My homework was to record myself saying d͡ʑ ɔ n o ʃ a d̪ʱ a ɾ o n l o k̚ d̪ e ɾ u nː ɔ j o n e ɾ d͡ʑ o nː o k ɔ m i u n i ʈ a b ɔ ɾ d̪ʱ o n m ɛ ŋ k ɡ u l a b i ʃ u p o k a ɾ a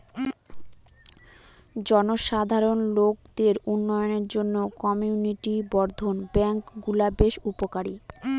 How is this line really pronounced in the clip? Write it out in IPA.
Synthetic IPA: d͡ʑ ɔ n o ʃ a d̪ʱ a ɾ o n l o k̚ d̪ e ɾ u nː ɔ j o n e ɾ d͡ʑ o nː o k ɔ m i u n i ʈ i b ɔ ɾ d̪ʱ o n b ɛ ŋ k ɡ u l a b e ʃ u p o k a ɾ i

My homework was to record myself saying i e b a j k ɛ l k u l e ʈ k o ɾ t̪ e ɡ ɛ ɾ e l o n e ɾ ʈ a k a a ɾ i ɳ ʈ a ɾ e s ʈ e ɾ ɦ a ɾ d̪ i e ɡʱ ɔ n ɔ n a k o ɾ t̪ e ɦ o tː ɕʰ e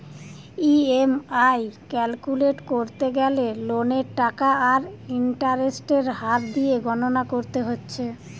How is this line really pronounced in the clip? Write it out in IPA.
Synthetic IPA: i e m a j k ɛ l k u l e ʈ k o ɾ t̪ e ɡ ɛ l e l o n e ɾ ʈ a k a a ɾ i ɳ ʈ a ɾ e s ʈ e ɾ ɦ a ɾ d̪ i e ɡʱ ɔ n o n a k o ɾ t̪ e ɦ o tː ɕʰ e

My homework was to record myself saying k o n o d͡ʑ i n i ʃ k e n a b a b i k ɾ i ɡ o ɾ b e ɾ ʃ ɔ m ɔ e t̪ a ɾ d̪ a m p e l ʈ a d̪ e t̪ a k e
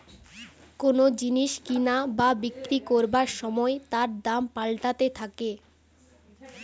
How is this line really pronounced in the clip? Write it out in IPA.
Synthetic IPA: k o n o d͡ʑ i n i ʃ k i n a b a b i k ɾ i k o ɾ b a ɾ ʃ ɔ m ɔ e t̪ a ɾ d̪ a m p a l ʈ a t̪ e t̪ʰ a k e

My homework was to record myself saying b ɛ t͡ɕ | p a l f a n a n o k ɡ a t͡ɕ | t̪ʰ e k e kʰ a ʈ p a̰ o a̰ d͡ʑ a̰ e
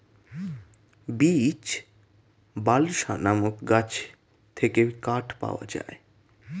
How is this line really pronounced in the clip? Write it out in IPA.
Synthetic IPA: b i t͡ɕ | b a l ʃ a n a m o k ɡ a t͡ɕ | t̪ʰ e k e k a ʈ p a̰ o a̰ d͡ʑ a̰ e

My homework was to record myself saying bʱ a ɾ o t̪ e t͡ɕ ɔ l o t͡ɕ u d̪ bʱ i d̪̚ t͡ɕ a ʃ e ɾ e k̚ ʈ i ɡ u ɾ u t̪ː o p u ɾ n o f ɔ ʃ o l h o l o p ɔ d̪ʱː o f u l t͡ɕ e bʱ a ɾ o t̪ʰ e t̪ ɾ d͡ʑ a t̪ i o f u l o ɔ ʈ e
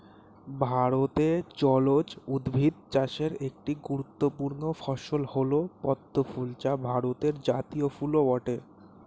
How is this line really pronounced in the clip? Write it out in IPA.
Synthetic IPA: bʱ a ɾ o t̪ e t͡ɕ ɔ l o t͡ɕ u d̪ bʱ i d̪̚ t͡ɕ a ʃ e ɾ e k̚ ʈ i ɡ u ɾ u t̪ː o p u ɾ n o f ɔ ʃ o l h o l o p ɔ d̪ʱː o f u l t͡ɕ a bʱ a ɾ o t̪ e ɾ d͡ʑ a t̪ i o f u l o ɔ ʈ e

